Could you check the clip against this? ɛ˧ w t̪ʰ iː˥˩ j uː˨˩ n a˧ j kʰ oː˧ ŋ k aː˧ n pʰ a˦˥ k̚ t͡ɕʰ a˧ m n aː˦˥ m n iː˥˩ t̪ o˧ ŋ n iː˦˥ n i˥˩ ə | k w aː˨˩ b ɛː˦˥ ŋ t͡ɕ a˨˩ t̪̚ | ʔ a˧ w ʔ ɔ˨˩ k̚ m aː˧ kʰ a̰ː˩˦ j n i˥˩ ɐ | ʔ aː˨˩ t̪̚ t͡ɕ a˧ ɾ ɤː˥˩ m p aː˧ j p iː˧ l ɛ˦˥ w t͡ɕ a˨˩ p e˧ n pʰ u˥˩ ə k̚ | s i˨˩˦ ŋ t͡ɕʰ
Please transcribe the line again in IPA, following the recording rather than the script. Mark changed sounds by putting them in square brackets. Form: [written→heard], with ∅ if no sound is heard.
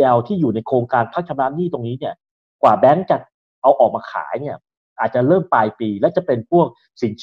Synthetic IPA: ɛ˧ w t̪ʰ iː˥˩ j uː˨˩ n a˧ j kʰ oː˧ ŋ k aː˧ n pʰ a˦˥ k̚ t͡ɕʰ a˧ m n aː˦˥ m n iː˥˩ t̪ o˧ ŋ n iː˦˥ n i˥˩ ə | k w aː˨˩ b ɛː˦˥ ŋ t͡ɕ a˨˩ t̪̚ | ʔ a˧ w ʔ [ɔ˨˩→ɔː˨˩] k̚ m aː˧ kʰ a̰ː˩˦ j n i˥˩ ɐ | ʔ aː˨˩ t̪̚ t͡ɕ [a˧→a˨˩] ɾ ɤː˥˩ m p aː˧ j p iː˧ l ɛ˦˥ w t͡ɕ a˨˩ p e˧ n pʰ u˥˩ ə k̚ | s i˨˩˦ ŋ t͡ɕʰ